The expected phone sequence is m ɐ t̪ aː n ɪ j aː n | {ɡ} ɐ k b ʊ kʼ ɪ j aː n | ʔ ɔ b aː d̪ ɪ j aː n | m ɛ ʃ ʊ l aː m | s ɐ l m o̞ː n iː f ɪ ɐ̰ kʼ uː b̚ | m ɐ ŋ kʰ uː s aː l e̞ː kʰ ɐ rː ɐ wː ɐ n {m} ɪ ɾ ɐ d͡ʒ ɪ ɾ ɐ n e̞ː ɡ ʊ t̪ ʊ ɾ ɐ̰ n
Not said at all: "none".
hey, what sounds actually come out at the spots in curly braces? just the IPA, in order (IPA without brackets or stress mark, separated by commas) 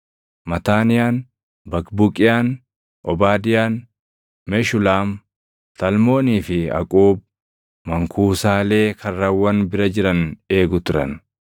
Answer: b, b